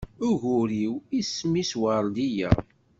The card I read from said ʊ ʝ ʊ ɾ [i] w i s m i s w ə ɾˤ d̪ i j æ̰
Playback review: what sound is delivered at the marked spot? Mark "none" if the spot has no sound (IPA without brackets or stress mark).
i